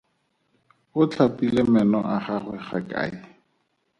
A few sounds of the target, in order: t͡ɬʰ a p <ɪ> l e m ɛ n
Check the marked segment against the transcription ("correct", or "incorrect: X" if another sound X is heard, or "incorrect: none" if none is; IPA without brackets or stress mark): incorrect: i